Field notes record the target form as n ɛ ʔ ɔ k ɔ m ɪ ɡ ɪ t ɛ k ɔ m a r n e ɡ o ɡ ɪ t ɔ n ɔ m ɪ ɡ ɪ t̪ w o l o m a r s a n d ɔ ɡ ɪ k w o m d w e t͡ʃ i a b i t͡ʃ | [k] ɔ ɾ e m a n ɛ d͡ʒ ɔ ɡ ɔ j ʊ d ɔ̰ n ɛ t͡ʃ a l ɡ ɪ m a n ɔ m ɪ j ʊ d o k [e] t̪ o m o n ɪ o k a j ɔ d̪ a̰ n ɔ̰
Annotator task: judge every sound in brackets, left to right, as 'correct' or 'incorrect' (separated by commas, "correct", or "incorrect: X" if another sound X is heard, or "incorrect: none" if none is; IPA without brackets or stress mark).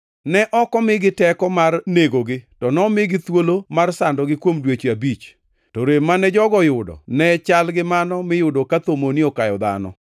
incorrect: t, incorrect: a